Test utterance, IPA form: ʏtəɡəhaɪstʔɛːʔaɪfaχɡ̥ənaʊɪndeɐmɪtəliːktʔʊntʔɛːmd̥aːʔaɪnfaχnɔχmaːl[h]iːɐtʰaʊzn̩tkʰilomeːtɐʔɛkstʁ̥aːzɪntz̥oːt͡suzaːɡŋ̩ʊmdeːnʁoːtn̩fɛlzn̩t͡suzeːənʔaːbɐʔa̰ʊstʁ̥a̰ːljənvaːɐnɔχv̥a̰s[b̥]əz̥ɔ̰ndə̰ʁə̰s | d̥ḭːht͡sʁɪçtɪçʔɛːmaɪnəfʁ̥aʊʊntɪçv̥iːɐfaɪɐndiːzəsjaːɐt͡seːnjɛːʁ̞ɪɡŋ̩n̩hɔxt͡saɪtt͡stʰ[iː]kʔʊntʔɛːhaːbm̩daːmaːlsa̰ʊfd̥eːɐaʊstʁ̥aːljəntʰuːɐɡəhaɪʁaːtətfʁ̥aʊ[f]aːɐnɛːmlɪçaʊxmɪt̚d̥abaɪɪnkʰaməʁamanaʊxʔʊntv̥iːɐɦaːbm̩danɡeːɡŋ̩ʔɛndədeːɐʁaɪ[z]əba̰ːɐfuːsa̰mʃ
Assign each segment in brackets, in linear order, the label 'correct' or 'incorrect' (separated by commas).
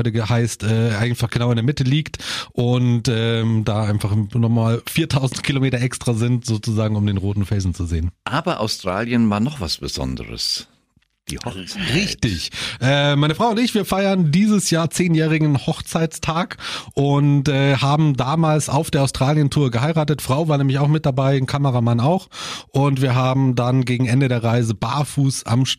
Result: incorrect, correct, incorrect, incorrect, correct